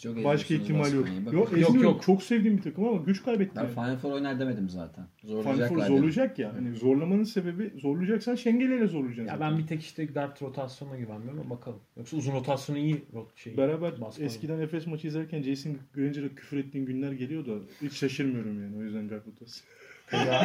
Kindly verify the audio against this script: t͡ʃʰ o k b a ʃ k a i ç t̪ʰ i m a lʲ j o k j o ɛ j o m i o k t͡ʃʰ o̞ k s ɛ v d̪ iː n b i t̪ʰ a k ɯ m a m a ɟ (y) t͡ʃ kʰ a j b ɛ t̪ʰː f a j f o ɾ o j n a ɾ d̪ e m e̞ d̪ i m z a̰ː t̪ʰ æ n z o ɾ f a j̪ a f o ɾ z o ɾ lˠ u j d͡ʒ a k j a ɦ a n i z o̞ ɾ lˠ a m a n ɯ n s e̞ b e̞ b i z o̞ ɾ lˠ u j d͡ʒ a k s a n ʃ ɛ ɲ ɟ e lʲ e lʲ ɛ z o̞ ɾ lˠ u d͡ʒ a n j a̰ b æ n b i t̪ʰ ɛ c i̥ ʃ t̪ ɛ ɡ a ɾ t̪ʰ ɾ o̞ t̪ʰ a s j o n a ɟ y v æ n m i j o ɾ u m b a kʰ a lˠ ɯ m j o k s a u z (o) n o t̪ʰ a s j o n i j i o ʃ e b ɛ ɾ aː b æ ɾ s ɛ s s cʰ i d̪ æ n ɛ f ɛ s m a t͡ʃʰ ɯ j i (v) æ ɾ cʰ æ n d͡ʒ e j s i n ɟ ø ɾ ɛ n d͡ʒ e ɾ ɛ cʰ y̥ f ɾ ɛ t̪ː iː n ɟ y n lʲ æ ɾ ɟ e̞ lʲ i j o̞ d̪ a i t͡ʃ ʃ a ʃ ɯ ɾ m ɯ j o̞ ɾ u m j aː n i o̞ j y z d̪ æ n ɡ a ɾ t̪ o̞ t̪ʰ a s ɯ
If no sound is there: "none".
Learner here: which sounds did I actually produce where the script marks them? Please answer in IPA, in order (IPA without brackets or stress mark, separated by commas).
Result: y, u, z